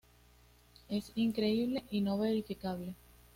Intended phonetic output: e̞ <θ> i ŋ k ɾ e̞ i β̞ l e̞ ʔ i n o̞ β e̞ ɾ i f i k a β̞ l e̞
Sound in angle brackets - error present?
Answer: yes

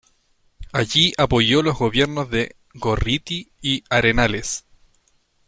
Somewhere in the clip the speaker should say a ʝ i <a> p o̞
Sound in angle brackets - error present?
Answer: no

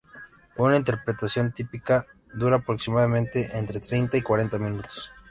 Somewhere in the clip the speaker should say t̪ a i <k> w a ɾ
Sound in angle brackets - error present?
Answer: no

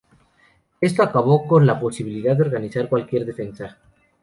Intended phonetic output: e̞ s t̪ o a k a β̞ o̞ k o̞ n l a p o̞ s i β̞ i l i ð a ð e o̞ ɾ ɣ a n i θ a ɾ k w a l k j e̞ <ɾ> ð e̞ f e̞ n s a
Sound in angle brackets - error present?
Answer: no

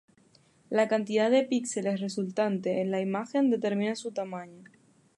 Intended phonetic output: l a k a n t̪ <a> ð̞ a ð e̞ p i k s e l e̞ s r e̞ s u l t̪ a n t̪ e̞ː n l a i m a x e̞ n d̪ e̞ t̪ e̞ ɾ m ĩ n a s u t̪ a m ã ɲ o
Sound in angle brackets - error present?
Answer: yes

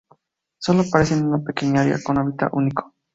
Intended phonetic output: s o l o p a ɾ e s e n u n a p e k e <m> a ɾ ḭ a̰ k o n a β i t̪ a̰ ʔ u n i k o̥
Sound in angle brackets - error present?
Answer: yes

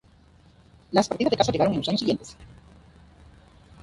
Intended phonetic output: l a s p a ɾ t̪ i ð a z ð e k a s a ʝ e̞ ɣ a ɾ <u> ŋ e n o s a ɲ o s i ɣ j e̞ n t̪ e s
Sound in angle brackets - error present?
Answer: yes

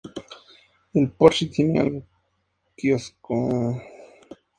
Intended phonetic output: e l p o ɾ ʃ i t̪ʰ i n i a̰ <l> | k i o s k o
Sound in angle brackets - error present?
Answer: no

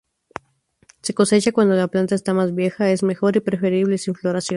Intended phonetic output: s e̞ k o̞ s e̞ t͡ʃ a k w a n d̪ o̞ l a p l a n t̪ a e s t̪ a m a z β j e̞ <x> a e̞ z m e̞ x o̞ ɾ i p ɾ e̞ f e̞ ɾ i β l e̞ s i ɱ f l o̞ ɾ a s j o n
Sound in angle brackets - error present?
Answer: no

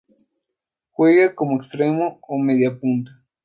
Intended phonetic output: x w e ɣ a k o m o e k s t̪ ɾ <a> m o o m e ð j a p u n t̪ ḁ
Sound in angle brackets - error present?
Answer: yes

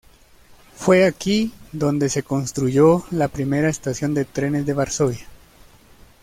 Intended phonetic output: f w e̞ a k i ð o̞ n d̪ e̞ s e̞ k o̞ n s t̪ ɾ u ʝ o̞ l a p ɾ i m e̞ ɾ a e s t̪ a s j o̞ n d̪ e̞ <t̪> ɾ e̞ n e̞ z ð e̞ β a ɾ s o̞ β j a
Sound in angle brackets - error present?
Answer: no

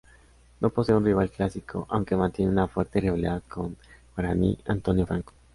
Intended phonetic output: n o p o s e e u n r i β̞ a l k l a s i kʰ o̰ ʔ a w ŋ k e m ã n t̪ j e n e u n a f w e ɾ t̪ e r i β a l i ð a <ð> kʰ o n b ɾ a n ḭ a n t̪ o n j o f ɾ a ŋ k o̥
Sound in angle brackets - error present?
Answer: no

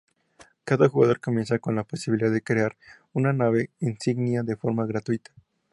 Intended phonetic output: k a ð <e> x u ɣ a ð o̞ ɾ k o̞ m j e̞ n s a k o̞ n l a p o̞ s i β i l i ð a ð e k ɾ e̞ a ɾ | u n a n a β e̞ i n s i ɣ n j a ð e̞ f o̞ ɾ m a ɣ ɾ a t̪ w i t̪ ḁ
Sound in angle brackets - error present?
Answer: yes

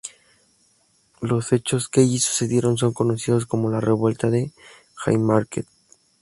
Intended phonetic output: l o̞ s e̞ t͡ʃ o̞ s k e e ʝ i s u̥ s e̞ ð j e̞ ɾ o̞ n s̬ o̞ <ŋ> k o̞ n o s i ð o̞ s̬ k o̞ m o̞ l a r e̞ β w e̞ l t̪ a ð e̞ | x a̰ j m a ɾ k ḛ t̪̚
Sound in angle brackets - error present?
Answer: no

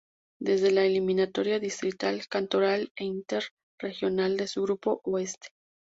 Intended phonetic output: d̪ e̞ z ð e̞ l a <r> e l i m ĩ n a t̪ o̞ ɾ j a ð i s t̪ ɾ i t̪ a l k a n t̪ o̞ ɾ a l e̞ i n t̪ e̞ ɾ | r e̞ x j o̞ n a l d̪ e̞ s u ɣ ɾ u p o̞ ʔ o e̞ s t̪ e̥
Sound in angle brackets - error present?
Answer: yes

